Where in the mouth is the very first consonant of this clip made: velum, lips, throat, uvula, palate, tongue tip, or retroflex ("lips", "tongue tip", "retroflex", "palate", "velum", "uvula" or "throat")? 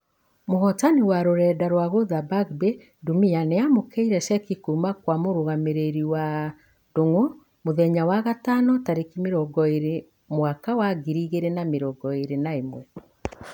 lips